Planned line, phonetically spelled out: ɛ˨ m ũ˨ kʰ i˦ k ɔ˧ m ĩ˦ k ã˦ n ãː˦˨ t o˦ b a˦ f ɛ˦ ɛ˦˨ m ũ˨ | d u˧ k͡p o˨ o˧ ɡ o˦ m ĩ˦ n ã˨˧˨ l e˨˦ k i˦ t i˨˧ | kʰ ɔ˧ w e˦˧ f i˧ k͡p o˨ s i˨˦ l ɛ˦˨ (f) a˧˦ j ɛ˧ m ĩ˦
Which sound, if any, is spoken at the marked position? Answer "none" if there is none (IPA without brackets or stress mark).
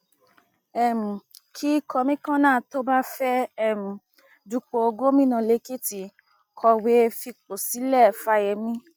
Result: f